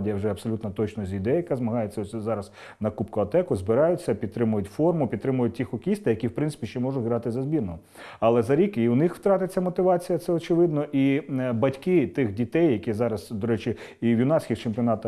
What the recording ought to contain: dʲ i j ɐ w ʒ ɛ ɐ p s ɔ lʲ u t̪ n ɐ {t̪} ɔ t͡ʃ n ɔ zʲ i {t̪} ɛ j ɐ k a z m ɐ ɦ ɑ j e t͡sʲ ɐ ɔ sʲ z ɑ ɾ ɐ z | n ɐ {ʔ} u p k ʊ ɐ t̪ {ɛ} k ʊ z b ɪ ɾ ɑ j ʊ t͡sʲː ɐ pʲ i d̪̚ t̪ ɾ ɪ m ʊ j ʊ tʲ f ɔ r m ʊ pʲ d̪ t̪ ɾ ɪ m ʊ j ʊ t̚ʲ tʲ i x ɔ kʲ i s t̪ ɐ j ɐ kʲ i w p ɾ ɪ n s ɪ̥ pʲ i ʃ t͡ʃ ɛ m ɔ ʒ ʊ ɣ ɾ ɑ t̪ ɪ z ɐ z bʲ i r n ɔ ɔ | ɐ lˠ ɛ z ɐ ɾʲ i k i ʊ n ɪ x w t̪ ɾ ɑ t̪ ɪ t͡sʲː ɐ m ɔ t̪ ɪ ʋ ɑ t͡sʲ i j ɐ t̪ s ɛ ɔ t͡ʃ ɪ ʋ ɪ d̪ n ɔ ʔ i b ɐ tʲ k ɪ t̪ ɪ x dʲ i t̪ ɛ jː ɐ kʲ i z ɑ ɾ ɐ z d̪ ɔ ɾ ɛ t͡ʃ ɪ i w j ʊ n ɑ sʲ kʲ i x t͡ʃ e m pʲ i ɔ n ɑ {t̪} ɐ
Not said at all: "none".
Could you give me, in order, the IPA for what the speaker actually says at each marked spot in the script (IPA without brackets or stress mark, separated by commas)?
t̪, d̪, k, ɛ, t̪